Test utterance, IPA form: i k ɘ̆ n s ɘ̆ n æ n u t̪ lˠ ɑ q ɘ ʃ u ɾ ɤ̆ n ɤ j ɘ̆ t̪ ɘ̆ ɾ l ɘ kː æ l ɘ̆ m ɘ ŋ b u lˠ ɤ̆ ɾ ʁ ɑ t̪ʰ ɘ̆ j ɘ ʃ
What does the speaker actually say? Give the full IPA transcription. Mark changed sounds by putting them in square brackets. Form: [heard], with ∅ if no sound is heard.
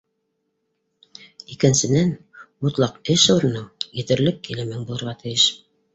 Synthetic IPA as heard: i k ɘ̆ n s ɘ̆ n æ n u t̪ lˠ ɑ q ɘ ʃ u ɾ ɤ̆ n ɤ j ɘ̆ t̪ ɘ̆ ɾ l ɘ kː [i] l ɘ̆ m ɘ ŋ b u lˠ ɤ̆ ɾ ʁ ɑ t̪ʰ ɘ̆ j ɘ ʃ